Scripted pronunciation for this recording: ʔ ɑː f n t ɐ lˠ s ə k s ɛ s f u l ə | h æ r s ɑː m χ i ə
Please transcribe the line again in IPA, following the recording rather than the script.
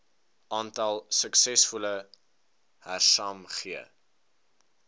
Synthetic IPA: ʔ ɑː n t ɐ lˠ s ə k s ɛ s f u l ə | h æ r s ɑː m χ i ə